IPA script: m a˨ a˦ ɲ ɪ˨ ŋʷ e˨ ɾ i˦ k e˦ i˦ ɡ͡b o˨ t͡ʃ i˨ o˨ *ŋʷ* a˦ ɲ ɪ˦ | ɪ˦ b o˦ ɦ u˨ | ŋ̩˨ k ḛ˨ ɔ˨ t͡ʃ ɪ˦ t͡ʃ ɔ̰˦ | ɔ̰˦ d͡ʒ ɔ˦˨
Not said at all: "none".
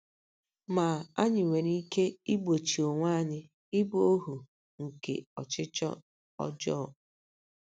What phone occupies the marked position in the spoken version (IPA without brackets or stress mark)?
ŋʷ